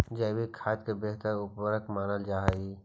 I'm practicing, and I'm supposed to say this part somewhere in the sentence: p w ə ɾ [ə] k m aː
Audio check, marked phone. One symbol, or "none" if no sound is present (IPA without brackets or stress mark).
ə